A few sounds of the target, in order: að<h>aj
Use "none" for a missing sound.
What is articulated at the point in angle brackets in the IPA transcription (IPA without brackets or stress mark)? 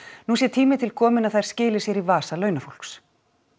θ